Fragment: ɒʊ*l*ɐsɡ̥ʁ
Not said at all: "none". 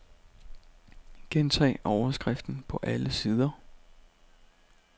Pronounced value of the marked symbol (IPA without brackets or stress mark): none